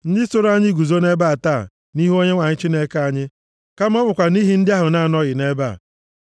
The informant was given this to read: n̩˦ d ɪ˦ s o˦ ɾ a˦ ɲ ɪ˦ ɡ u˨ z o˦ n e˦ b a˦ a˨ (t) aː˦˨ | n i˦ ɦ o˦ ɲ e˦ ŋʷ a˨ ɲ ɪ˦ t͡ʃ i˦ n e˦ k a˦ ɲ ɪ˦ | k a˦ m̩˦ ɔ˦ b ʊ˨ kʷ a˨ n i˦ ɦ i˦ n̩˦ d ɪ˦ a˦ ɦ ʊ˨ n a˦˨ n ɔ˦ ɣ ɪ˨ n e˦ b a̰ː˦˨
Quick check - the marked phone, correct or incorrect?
correct